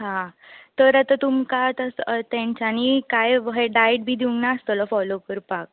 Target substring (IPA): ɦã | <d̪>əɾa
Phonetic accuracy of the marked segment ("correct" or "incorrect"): incorrect